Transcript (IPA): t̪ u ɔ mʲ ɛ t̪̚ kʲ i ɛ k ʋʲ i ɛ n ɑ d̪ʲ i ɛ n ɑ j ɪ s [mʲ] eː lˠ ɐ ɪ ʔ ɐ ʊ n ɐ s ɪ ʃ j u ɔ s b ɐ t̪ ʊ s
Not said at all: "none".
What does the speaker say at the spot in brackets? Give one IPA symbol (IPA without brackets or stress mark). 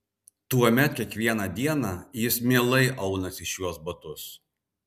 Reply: mʲ